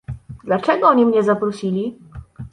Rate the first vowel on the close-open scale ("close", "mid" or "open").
open